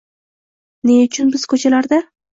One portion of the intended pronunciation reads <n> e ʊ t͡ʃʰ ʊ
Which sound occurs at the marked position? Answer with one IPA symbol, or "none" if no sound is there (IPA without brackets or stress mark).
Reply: n